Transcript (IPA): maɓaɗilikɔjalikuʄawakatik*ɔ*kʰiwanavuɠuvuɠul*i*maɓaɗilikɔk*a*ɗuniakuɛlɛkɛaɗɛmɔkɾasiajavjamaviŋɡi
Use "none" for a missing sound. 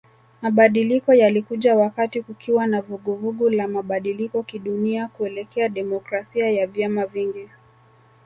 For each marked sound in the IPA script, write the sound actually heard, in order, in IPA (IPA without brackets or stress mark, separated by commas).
u, a, i